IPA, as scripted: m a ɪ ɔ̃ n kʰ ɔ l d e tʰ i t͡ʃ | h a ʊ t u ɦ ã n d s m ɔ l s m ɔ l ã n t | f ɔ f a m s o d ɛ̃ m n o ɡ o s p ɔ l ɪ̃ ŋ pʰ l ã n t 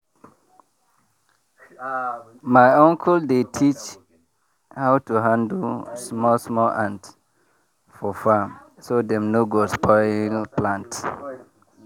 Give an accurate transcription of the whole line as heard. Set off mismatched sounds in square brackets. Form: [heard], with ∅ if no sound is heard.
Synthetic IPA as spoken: m a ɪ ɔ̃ [ŋ] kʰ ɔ l d e tʰ i t͡ʃ | h a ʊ t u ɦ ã n d s m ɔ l s m ɔ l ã n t | f ɔ f a m s o d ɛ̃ m n o ɡ o s p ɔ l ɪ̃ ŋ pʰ l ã n t